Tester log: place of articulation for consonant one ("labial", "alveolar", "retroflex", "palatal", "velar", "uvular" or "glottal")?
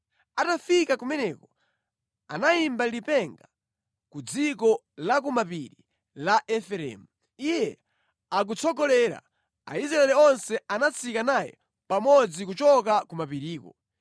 alveolar